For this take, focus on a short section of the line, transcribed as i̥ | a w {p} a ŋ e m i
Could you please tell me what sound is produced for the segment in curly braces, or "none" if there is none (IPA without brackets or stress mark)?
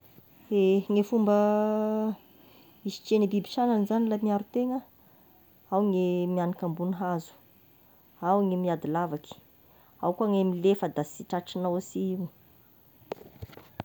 k